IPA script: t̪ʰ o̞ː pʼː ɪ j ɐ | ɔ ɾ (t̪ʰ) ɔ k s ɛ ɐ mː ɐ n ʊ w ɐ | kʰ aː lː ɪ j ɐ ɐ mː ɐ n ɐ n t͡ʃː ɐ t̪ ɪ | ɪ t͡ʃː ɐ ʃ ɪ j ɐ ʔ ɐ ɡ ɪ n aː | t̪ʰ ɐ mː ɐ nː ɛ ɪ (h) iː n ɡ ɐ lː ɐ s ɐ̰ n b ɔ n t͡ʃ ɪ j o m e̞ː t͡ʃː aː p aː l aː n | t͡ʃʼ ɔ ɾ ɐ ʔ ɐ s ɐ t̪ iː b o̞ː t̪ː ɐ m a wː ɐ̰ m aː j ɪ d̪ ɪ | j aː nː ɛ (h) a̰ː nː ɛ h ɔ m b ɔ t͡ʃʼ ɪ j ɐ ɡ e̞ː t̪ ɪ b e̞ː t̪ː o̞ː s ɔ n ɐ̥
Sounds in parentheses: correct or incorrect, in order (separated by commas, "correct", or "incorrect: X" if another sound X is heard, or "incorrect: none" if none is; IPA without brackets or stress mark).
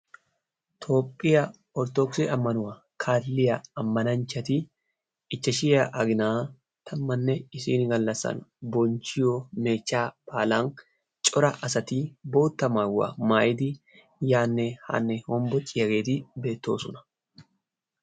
incorrect: t̪, incorrect: s, correct